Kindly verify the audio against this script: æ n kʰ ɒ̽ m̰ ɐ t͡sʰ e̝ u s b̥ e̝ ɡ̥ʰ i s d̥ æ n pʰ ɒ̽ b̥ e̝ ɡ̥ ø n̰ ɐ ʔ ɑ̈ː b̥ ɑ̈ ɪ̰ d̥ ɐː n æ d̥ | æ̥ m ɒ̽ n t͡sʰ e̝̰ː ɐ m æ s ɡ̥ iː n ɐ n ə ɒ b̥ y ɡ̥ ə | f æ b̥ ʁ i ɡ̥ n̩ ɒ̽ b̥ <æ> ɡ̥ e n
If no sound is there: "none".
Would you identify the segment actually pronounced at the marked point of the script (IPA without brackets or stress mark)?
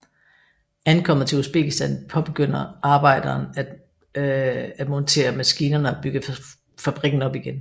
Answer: i